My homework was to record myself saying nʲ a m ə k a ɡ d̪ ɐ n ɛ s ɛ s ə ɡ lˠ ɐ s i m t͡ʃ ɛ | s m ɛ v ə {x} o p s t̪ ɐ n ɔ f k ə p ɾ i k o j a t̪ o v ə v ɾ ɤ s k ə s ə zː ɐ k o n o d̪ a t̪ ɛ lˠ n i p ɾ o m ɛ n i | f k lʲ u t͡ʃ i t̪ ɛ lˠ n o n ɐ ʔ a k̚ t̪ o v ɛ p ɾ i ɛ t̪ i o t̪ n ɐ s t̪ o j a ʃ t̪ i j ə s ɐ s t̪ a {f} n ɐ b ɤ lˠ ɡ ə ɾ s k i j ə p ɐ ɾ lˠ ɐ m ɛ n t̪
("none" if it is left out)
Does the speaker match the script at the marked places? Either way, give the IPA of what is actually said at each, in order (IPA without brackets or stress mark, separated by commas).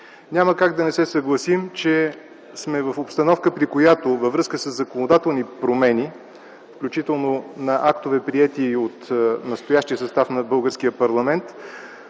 f, f